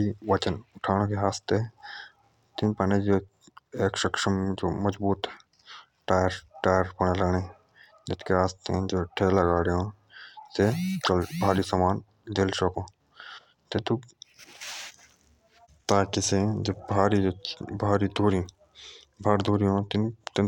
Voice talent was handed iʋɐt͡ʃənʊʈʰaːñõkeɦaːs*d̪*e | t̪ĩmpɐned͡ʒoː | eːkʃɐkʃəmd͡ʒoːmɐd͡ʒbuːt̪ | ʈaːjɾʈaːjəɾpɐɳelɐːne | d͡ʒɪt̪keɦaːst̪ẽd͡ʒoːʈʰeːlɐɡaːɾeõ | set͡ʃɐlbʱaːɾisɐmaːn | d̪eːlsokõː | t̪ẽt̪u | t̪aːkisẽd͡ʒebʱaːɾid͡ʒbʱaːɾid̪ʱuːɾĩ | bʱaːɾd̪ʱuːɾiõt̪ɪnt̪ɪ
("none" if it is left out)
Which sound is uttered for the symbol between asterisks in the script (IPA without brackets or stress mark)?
t̪